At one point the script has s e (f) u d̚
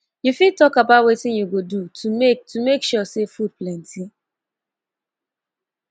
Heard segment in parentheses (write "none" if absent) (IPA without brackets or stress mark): f